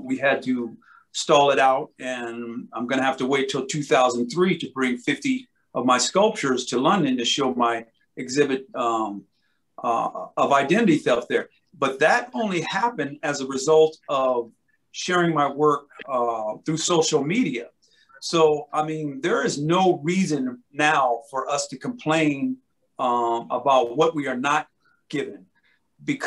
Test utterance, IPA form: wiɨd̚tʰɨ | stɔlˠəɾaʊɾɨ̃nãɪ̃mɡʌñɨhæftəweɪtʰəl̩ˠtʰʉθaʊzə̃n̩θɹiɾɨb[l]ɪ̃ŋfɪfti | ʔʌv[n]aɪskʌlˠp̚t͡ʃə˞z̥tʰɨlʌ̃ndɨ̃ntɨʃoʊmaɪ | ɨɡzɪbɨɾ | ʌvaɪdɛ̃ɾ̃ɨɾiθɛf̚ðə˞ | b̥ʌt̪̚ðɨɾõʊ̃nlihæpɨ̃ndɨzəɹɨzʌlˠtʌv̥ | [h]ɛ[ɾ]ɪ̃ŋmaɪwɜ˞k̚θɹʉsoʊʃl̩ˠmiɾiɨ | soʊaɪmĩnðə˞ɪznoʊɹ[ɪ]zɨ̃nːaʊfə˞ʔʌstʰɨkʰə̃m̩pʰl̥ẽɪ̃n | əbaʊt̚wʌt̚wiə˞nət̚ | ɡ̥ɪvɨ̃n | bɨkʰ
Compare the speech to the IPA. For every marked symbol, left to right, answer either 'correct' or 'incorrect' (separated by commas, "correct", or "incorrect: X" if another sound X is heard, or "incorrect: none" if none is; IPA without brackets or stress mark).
incorrect: ɹ, incorrect: m, incorrect: ʃ, incorrect: ɹ, incorrect: i